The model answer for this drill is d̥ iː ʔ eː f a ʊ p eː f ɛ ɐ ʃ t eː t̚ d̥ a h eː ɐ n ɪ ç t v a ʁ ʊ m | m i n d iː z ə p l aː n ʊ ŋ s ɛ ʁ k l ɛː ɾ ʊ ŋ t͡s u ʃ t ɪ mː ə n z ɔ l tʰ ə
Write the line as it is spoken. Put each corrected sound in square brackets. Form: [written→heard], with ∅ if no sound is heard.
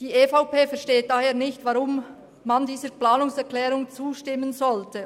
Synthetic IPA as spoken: d̥ iː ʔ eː f a ʊ p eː f ɛ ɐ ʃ t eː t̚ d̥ a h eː ɐ n ɪ ç t v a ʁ ʊ m | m [i→a] n d iː z ə p l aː n ʊ ŋ s ɛ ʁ k l ɛː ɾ ʊ ŋ t͡s [u→uː] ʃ t ɪ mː ə n z ɔ l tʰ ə